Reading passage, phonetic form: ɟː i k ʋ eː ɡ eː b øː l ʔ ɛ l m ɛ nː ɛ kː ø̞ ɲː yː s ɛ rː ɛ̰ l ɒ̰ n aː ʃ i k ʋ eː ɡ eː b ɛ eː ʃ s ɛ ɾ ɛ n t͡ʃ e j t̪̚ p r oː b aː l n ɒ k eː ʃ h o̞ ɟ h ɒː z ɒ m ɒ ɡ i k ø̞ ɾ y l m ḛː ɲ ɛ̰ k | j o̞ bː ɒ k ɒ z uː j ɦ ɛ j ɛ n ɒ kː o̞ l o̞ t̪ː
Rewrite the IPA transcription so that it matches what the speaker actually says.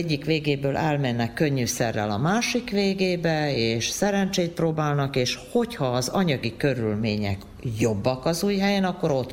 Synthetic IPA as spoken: ɟː i k ʋ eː ɡ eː b øː l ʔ ɛ l m ɛ nː ɛ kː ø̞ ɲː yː s ɛ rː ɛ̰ l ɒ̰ m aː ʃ i k ʋ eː ɡ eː b ɛ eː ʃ s ɛ ɾ ɛ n t͡ʃ e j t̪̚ p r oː b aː l n ɒ k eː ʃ h o̞ c h ɒː z ɒ ɲ ɒ ɡ i k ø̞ ɾ y l m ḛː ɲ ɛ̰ k | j o̞ bː ɒ k ɒ z uː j ɦ ɛ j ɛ n ɒ kː o̞ ɾ o̞ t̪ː